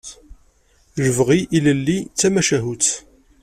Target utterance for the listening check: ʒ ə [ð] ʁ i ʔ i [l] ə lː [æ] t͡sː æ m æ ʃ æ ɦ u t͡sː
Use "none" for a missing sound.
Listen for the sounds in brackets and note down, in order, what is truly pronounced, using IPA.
v, l, i

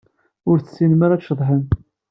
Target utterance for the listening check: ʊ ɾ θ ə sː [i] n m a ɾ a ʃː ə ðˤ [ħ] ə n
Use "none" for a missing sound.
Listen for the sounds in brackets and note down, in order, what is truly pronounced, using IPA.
i, ħ

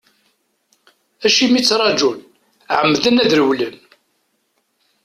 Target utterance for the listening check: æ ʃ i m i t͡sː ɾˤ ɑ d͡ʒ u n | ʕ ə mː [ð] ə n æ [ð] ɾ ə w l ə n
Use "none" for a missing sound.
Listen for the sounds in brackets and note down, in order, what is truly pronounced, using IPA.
ð, ð

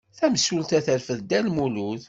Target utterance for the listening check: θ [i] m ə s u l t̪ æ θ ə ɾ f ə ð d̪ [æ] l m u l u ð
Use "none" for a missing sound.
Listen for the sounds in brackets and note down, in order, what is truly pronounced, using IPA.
æ, æ

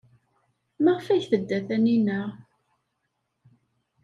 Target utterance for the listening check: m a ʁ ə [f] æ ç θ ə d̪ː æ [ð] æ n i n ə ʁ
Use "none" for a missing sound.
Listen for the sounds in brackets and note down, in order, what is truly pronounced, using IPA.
f, θ

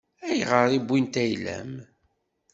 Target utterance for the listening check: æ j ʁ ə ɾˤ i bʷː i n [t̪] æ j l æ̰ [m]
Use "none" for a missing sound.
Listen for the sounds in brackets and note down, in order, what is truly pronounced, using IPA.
t̪, m

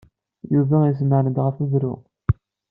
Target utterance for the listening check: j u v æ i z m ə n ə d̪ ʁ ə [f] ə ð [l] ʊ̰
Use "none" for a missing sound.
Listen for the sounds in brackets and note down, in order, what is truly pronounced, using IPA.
f, ɾ

